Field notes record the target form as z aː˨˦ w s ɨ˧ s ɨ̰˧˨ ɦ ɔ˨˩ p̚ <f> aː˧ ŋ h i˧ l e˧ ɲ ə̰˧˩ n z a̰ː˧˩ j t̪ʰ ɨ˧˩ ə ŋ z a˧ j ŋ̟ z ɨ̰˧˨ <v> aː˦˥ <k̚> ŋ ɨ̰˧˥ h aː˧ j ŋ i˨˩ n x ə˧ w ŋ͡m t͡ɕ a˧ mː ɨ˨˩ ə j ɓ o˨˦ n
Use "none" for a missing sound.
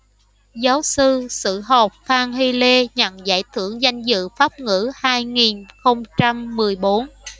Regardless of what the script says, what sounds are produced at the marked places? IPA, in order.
f, f, p̚

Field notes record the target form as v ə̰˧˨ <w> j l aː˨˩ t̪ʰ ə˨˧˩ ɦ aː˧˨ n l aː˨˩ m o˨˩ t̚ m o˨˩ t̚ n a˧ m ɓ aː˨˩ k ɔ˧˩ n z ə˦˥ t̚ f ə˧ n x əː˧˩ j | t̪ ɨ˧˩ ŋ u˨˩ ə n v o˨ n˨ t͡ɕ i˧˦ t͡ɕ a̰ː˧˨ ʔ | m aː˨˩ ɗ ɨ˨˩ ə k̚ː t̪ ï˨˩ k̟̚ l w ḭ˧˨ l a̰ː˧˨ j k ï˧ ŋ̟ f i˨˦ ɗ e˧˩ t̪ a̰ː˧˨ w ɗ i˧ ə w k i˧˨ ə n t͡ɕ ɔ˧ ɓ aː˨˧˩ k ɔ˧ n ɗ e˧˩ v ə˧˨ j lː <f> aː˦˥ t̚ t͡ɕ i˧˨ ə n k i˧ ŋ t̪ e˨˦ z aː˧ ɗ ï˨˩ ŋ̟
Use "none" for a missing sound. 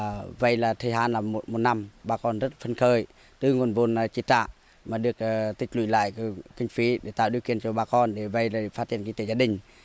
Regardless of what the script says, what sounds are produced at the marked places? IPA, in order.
none, f

